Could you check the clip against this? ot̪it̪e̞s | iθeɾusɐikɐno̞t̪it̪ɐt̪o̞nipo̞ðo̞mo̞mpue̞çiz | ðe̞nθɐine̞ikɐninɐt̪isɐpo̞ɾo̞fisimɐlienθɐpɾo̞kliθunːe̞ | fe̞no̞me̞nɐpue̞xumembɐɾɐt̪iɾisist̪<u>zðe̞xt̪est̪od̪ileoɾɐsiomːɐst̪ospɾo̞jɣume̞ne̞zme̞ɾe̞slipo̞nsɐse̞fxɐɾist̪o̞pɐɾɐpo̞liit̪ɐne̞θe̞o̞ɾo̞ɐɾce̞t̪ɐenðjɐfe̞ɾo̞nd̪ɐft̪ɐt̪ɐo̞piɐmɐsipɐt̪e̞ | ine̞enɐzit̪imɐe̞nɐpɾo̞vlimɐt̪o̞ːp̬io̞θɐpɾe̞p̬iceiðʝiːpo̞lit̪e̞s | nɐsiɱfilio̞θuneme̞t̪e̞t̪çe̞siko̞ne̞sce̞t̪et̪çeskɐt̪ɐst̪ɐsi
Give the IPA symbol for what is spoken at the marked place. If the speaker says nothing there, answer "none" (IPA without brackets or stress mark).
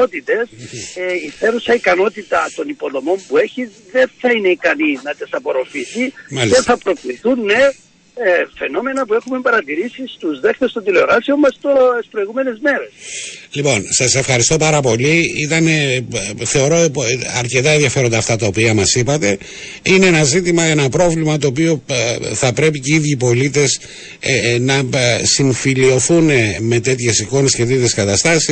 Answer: u